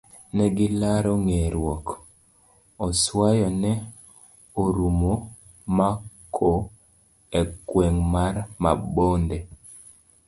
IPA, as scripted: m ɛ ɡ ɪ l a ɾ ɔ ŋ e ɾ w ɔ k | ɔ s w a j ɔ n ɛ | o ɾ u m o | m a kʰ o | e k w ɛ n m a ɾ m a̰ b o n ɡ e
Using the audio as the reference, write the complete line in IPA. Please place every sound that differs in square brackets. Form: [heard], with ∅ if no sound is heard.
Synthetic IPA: [n] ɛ ɡ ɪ l a ɾ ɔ ŋ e ɾ w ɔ k | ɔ s w a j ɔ n ɛ | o ɾ u m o | m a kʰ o | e k w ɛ [ŋ] m a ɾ m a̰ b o n [d] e